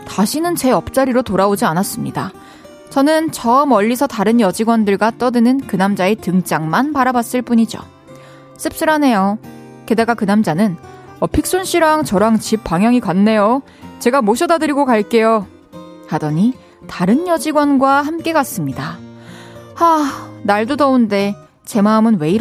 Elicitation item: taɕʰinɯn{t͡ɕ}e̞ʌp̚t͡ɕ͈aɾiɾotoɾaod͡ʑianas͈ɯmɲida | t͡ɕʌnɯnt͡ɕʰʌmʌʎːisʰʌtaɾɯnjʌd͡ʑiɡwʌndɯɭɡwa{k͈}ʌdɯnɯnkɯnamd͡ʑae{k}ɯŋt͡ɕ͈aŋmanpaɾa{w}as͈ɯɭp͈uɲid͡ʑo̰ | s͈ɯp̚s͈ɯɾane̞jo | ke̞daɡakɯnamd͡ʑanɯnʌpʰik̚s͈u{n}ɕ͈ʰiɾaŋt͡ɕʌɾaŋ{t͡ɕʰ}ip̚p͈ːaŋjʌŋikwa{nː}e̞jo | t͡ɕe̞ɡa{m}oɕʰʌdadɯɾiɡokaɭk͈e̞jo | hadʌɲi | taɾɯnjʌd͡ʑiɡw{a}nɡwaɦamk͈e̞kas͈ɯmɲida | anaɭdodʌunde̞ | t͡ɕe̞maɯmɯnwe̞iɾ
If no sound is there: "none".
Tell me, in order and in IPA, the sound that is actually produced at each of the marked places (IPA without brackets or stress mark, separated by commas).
t͡ɕ, t͈, t, b, n, t͡ɕ, nː, m, ʌ